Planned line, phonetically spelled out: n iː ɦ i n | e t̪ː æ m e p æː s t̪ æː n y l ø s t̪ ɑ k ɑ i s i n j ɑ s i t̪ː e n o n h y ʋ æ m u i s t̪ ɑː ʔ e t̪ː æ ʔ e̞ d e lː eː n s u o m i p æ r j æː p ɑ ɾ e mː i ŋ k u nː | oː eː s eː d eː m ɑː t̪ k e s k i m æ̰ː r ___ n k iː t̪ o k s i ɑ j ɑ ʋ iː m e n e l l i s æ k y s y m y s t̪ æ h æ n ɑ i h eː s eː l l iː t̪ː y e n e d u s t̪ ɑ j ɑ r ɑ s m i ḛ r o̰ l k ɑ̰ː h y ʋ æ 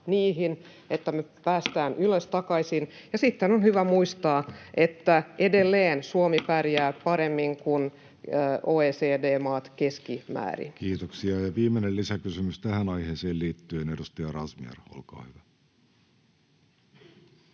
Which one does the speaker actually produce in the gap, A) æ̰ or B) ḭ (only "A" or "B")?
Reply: B